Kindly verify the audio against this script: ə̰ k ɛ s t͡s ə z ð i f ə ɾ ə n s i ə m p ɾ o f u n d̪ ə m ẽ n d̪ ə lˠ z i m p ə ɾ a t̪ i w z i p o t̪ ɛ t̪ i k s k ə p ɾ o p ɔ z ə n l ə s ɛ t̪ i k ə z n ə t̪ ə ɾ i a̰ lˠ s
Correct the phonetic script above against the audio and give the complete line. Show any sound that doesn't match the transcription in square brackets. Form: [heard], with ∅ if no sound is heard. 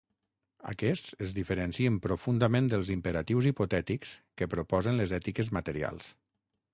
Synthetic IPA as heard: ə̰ k ɛ s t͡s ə z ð i f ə ɾ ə n s i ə m p ɾ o f u n d̪ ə m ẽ n d̪ ə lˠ z i m p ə ɾ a t̪ i w z i p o t̪ ɛ t̪ i k s k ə p ɾ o p ɔ z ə n l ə [z] ɛ t̪ i k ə z [m] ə t̪ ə ɾ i a̰ lˠ s